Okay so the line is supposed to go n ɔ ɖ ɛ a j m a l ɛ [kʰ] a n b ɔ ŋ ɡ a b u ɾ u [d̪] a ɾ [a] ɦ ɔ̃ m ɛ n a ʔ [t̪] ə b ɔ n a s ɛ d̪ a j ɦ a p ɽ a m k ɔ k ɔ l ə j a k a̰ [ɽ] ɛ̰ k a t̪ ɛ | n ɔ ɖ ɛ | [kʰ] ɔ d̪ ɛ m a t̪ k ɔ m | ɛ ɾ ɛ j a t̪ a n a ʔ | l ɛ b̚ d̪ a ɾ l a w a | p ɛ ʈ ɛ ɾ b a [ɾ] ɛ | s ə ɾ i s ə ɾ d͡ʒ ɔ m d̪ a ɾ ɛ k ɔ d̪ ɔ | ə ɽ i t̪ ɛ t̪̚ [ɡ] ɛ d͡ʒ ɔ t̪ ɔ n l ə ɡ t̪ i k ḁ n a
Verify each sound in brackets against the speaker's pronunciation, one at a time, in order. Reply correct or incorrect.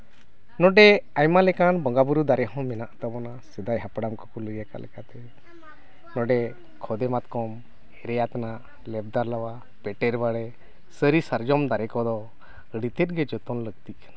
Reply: incorrect, correct, incorrect, correct, incorrect, correct, incorrect, correct

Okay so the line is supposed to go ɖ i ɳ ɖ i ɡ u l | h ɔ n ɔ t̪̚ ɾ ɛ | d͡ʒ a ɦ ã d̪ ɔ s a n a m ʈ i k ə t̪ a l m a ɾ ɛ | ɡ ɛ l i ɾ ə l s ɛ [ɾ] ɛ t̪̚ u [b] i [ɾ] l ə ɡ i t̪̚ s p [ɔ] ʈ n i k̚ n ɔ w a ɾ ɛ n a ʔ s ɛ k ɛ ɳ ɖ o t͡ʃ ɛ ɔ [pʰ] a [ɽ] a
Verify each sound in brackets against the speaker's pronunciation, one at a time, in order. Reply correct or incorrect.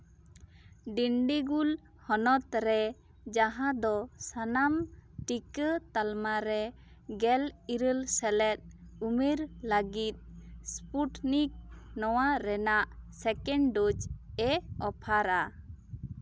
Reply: incorrect, incorrect, correct, incorrect, correct, incorrect

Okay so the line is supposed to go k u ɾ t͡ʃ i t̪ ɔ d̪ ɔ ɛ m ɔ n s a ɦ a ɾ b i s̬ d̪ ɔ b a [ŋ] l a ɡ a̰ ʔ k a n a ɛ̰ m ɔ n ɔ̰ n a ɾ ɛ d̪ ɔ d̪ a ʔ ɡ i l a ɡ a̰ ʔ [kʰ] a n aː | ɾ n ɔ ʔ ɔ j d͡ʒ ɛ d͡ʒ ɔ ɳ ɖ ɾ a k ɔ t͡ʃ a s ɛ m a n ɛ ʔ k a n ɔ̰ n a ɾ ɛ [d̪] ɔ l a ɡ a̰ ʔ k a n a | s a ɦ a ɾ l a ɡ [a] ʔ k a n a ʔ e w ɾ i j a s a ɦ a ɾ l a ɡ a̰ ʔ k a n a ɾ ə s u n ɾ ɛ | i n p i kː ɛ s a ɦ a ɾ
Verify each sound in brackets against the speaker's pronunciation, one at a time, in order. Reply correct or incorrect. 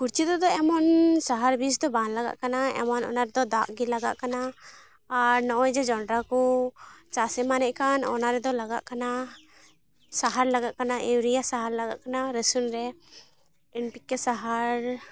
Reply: incorrect, incorrect, correct, correct

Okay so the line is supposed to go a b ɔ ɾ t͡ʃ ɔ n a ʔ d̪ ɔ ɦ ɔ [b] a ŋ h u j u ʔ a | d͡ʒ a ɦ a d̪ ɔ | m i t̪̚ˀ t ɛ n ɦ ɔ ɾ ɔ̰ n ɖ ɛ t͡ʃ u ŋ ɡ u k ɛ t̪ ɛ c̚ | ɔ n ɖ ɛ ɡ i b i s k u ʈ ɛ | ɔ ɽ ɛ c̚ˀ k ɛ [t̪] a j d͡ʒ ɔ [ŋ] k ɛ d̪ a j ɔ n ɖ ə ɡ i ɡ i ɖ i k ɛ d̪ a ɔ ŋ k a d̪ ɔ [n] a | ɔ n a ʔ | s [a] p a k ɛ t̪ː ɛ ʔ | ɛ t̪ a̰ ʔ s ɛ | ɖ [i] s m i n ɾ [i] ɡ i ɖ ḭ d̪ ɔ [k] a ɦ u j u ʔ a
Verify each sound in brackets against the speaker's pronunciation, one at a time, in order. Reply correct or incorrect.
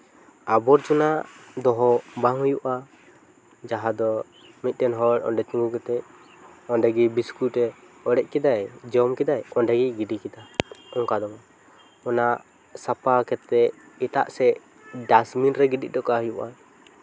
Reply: correct, incorrect, incorrect, incorrect, correct, incorrect, incorrect, correct

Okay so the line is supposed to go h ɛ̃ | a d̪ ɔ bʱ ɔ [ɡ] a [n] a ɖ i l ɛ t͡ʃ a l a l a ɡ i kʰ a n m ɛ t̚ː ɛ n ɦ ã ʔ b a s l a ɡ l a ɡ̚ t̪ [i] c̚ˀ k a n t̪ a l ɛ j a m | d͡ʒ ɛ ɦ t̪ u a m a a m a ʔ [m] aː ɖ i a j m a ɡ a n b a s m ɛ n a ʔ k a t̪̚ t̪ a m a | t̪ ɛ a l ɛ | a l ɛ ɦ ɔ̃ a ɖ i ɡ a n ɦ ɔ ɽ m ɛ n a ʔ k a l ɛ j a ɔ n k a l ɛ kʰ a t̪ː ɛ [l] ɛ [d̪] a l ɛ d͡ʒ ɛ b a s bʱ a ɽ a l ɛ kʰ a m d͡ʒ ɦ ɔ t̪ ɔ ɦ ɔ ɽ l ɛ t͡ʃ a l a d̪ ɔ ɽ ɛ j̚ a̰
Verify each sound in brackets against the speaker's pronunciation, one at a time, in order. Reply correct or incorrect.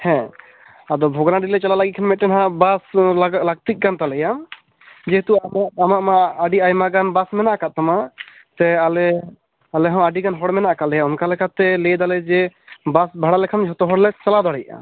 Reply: correct, correct, correct, correct, correct, correct

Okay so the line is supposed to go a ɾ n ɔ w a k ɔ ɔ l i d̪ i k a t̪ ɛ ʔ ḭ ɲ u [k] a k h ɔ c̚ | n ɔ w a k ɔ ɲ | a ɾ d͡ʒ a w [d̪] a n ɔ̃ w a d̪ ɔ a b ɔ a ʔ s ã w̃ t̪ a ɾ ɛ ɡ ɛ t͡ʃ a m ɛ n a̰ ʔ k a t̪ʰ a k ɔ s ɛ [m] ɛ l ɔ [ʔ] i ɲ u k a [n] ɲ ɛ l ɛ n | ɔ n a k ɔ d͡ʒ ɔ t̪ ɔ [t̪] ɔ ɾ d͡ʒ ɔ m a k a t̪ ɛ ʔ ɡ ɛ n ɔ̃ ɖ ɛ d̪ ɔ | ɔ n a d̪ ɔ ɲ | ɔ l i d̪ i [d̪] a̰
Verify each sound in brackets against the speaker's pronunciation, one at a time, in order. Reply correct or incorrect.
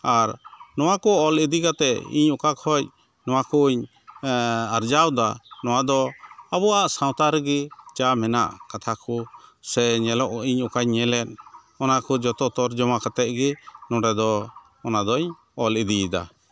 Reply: correct, correct, incorrect, correct, incorrect, correct, correct

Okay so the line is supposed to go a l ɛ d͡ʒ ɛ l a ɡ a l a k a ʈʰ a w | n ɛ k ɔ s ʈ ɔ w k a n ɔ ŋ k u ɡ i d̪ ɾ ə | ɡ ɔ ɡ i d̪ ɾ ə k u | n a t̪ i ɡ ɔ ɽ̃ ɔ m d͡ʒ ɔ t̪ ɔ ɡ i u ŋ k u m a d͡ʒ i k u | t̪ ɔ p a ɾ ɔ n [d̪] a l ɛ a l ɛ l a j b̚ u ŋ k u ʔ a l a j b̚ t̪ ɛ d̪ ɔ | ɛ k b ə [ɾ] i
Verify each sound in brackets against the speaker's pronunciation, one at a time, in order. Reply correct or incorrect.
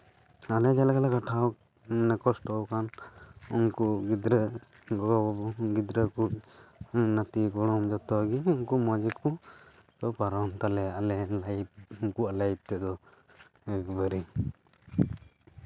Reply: incorrect, correct

